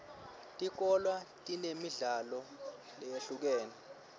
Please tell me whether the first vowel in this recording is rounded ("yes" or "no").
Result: no